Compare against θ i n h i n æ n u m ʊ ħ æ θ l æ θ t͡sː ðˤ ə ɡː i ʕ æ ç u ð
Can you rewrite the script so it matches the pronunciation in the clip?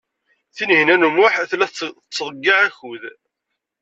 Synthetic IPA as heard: θ i n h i n æ n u m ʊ ħ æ θ l æ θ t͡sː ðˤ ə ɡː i ʕ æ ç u ð